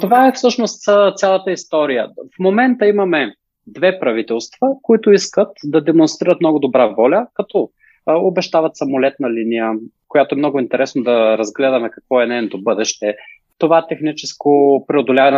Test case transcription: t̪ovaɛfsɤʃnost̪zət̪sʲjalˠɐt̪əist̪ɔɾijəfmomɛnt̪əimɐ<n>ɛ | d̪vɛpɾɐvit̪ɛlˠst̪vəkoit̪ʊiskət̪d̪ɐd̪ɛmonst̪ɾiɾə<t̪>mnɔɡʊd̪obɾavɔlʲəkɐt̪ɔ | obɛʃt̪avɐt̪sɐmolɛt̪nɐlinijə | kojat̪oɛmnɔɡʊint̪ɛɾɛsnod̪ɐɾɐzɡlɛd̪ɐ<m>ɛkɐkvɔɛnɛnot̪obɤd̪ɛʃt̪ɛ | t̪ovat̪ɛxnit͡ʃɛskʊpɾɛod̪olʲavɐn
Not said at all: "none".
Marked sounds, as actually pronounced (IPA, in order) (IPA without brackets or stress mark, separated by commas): m, t̪, m